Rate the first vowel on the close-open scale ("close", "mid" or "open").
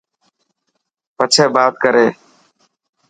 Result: mid